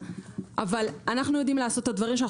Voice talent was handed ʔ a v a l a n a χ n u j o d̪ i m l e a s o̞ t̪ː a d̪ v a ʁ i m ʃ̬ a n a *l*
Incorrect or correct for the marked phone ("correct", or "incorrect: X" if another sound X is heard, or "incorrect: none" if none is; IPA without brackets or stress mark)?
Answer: incorrect: none